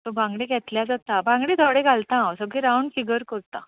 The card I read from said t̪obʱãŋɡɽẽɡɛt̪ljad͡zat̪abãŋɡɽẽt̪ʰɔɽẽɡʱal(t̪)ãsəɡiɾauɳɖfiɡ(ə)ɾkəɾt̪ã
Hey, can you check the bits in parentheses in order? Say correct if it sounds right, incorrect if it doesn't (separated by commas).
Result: correct, correct